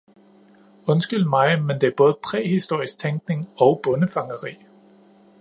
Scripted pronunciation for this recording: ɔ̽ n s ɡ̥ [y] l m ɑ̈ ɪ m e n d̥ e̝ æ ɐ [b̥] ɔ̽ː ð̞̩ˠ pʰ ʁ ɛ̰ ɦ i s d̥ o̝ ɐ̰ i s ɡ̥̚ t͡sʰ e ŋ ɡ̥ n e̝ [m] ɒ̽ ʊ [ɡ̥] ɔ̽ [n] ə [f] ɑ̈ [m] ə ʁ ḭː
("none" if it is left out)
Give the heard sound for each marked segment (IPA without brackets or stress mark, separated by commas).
y, b̥, ŋ, b̥, n, f, ŋ